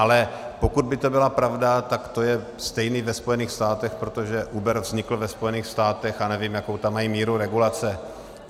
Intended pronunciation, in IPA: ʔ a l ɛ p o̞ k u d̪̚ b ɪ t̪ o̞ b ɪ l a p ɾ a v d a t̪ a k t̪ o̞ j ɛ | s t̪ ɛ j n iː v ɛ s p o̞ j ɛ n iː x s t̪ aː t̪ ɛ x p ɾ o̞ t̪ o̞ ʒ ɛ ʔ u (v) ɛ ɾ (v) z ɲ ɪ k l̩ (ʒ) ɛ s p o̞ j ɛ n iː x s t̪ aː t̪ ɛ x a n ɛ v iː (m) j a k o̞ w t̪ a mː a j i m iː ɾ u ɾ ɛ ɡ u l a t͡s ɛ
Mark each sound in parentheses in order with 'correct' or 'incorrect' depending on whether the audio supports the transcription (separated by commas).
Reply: incorrect, correct, incorrect, correct